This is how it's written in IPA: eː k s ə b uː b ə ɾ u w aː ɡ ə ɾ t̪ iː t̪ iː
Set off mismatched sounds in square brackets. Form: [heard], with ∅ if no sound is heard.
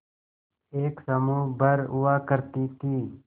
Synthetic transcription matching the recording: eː k s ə [m] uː b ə ɾ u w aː [k] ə ɾ t̪ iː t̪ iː